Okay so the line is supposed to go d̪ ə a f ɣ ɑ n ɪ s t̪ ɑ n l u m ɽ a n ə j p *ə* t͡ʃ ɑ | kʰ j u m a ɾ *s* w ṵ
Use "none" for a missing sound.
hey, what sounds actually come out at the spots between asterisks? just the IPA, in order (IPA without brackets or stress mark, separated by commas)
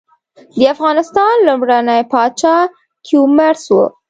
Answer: ɑ, s